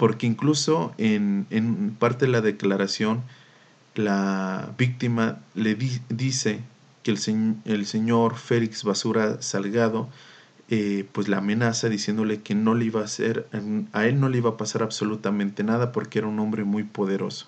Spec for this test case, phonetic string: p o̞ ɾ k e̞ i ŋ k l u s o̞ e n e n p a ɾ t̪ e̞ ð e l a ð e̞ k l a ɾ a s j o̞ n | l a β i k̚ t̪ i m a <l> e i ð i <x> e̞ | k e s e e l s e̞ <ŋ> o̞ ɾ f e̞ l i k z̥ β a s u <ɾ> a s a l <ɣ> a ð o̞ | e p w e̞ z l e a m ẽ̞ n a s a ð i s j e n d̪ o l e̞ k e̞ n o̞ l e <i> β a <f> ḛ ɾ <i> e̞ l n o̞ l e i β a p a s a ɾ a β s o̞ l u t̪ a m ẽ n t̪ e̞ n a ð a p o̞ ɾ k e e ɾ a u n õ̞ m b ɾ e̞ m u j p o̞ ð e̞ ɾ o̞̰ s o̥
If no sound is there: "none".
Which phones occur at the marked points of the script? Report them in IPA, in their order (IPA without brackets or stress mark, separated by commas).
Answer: l, s, ɲ, ɾ, ɣ, i, s, a